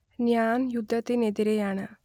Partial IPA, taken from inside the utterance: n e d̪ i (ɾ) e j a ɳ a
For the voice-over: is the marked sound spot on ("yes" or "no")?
yes